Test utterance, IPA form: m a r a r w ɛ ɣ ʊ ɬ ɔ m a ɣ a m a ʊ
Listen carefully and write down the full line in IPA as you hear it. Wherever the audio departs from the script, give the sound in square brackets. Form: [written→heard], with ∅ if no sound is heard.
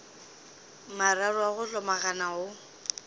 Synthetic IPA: m a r a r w [ɛ→a] ɣ ʊ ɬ ɔ m a ɣ a [m→n] a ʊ